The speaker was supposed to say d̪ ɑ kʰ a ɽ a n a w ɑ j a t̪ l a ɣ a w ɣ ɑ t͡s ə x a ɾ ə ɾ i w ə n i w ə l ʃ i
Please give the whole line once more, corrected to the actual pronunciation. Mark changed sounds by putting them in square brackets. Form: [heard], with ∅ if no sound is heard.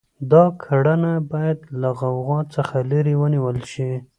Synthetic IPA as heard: d̪ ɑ kʰ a ɽ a n a [b] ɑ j a [d̪] l a ɣ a w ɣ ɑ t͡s ə x a [l] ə ɾ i w ə n i w ə l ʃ i